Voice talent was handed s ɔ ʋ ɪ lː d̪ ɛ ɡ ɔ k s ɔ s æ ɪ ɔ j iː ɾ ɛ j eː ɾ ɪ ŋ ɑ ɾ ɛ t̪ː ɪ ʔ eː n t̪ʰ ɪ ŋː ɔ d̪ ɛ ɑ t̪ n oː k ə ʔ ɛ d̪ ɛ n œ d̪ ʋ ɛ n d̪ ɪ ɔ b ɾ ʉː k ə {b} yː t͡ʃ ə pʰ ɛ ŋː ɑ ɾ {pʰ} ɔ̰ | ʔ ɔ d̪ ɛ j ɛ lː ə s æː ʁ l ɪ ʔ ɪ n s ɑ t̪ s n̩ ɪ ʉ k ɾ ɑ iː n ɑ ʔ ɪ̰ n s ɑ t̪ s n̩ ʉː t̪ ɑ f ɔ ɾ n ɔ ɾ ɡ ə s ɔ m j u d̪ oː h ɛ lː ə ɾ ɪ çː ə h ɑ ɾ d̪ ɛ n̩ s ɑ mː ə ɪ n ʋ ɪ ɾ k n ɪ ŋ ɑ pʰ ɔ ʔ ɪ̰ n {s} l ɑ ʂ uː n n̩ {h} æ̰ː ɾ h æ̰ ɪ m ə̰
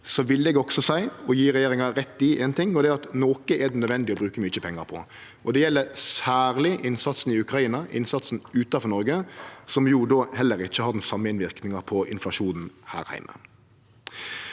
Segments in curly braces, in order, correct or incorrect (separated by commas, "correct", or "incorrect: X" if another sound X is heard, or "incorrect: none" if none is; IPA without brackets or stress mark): incorrect: m, correct, incorrect: f, correct